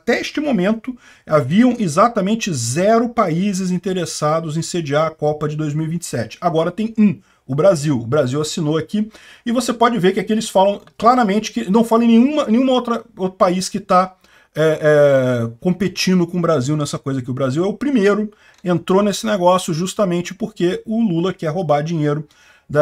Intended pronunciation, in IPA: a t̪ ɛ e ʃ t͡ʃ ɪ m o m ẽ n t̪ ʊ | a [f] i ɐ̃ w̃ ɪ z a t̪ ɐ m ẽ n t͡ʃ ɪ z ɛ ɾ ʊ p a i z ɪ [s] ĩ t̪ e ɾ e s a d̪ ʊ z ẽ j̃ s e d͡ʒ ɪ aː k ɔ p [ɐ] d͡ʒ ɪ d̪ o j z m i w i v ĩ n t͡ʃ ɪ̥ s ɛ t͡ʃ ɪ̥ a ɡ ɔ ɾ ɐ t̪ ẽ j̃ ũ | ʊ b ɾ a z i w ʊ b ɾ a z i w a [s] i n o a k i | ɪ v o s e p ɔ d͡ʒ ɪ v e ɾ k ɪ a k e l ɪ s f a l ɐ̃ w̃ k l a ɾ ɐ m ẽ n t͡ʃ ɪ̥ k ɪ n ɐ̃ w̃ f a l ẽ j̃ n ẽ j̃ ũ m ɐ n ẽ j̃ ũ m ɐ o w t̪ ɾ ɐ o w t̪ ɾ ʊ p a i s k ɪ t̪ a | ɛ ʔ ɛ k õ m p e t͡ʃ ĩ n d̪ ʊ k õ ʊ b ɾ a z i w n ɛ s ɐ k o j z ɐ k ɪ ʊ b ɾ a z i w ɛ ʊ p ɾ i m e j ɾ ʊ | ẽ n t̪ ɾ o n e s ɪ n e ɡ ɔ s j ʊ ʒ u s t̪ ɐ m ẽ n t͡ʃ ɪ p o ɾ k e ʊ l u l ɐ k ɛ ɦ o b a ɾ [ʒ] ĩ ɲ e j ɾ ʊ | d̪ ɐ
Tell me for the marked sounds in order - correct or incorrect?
incorrect, incorrect, correct, correct, incorrect

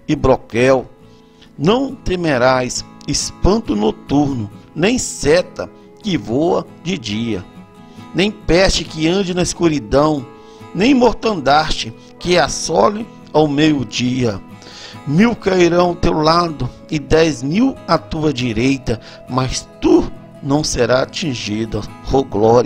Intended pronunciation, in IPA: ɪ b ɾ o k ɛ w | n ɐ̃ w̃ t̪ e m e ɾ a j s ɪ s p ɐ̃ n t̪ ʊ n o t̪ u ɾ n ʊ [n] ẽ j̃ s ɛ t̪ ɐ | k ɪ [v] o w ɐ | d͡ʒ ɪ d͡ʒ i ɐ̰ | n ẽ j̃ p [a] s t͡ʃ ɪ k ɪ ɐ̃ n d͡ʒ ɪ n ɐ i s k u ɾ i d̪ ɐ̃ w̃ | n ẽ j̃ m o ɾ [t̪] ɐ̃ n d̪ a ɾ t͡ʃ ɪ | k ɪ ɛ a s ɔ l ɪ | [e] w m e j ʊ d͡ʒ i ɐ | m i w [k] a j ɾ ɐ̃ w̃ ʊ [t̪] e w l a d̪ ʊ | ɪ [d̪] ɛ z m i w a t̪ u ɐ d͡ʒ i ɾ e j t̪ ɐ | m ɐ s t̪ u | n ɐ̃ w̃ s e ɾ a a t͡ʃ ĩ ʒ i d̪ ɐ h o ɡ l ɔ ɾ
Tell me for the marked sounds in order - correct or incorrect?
correct, correct, incorrect, correct, incorrect, correct, correct, correct

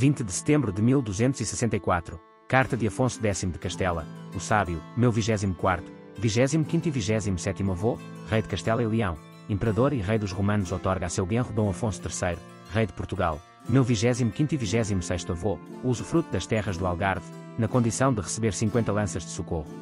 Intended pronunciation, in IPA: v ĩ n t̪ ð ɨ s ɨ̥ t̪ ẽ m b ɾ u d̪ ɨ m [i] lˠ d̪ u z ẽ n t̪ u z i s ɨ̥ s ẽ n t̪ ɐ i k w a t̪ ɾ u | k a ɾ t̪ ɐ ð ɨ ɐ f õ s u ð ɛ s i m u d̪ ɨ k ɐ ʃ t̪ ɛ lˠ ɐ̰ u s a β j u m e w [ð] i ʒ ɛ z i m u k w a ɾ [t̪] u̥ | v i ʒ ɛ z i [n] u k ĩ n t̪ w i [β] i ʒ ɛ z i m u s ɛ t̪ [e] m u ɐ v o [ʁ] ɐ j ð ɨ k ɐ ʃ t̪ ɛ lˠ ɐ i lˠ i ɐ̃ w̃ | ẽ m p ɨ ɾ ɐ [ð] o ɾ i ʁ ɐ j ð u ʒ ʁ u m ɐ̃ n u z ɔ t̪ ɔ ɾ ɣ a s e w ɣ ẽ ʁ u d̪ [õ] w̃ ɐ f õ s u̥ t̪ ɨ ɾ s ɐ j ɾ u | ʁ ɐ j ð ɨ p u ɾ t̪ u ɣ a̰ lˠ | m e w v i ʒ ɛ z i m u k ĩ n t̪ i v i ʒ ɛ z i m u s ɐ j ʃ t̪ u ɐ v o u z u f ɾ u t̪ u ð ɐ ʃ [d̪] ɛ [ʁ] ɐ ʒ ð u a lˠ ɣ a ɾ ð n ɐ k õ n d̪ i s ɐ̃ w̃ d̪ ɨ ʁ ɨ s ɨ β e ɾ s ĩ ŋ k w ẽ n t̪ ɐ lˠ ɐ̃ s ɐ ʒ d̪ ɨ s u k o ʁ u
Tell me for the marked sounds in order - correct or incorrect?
correct, incorrect, correct, incorrect, incorrect, incorrect, correct, correct, correct, incorrect, correct

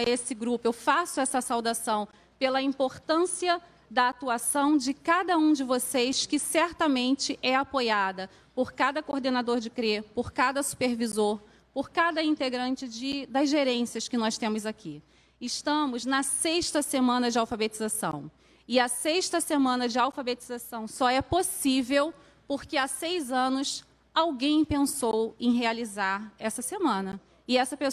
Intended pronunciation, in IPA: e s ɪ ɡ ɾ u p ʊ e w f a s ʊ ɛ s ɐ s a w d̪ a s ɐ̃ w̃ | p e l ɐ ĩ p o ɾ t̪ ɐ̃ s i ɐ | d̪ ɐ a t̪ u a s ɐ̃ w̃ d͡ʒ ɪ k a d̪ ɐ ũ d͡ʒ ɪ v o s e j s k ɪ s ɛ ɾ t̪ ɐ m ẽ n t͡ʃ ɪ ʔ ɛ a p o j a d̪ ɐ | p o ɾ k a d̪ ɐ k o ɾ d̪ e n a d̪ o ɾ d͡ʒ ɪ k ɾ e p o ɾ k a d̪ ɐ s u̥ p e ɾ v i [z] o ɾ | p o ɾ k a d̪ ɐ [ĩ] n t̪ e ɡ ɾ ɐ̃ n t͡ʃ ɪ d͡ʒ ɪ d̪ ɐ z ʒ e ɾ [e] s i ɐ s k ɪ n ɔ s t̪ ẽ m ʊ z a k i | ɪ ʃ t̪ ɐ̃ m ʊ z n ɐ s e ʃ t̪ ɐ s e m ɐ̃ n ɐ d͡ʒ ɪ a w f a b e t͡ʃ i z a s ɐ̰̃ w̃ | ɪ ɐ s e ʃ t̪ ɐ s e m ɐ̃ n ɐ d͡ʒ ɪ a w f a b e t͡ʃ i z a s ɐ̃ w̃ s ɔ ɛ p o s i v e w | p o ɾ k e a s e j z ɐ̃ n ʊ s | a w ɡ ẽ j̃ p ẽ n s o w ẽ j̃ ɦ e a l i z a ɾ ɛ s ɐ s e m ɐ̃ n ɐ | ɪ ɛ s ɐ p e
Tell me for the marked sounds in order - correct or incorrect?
correct, correct, incorrect

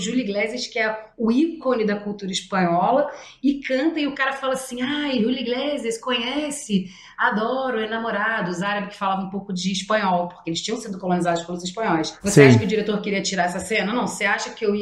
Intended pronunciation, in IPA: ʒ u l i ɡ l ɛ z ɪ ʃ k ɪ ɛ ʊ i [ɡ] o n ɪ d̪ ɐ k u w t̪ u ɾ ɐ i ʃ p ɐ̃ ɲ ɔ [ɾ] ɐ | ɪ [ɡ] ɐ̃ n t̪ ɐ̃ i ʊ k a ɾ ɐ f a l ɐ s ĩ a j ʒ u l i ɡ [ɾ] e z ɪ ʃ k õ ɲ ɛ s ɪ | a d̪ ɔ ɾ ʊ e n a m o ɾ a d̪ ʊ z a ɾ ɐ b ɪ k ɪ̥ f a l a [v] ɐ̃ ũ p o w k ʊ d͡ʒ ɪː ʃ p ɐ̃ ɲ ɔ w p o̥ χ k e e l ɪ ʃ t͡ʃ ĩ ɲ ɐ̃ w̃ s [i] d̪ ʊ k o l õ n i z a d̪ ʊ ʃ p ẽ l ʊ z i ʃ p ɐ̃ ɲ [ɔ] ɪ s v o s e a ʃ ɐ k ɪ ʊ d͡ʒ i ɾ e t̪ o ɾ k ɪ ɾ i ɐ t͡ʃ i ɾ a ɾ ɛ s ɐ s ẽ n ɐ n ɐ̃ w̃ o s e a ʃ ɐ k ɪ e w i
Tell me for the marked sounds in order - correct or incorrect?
incorrect, incorrect, incorrect, incorrect, correct, incorrect, correct

